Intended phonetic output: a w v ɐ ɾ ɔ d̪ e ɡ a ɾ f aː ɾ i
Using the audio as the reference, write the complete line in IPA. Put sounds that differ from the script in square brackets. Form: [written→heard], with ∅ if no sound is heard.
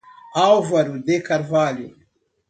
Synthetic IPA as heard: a w v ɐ ɾ [ɔ→u] d̪ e [ɡ→k] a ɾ [f→v] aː [ɾ→l] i

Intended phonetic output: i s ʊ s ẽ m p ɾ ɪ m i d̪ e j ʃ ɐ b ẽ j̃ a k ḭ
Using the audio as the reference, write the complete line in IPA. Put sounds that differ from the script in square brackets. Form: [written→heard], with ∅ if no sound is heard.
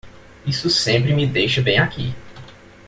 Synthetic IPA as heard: i s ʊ s ẽ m p ɾ ɪ m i d̪ e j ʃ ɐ b ẽ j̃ a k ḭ

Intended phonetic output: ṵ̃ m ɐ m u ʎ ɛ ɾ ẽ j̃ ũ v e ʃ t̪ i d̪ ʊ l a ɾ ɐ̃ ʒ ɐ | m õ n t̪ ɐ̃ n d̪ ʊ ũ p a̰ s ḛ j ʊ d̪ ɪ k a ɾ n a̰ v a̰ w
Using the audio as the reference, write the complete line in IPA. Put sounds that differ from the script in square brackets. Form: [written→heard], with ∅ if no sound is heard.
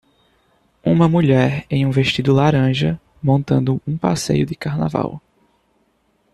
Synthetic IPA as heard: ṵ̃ m ɐ m u ʎ ɛ ɾ ẽ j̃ ũ v e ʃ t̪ i d̪ ʊ l a ɾ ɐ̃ ʒ ɐ | m õ n t̪ ɐ̃ n d̪ ʊ ũ p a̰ s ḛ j ʊ d̪ ɪ k a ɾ n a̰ v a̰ w

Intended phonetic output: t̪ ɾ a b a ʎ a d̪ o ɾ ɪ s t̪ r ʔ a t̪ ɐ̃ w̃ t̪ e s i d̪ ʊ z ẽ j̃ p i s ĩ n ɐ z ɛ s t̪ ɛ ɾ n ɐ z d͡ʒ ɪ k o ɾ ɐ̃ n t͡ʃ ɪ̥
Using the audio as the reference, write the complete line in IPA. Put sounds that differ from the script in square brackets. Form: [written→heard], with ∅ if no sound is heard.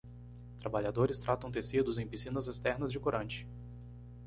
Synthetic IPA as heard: t̪ ɾ a b a ʎ a d̪ o ɾ ɪ s t̪ [r→ɾ] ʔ a t̪ ɐ̃ w̃ t̪ e s i d̪ ʊ z ẽ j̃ p i s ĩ n ɐ z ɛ s t̪ ɛ ɾ n ɐ z d͡ʒ ɪ k o ɾ ɐ̃ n t͡ʃ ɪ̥

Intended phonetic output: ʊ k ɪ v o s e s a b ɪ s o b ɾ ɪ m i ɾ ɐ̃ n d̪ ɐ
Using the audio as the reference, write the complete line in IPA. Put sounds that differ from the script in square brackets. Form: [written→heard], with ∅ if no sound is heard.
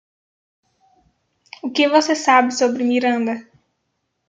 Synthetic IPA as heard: ʊ k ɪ v o s e s a b ɪ s o b ɾ ɪ m i ɾ ɐ̃ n d̪ ɐ

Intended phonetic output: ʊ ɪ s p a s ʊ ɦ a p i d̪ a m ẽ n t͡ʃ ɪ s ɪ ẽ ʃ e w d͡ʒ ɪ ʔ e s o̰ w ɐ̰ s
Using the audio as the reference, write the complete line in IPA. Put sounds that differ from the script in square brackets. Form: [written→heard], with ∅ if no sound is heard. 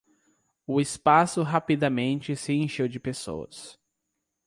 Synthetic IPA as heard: ʊ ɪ s p a s ʊ ɦ a p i d̪ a m ẽ n t͡ʃ ɪ s ɪ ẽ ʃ e w d͡ʒ ɪ [ʔ→p] e s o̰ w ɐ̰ s

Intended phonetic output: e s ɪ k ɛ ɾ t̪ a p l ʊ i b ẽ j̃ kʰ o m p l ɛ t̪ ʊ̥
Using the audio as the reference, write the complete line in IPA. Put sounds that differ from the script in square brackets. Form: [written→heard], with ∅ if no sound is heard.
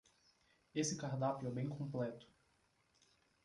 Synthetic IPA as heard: e s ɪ k [ɛ→a] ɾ [t̪→d̪] a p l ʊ [i→ɛ] b ẽ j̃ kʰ [o→õ] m p l ɛ t̪ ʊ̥

